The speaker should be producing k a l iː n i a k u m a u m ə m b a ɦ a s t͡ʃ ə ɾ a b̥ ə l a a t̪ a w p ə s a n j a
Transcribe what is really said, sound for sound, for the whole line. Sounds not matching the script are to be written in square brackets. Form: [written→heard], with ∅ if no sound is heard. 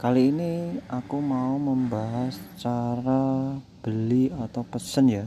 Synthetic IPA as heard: k a l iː n i a k u m a u m ə m b a ɦ a s t͡ʃ [ə→a] ɾ a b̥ ə l [a→i] a t̪ a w p ə s [a→ə] n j a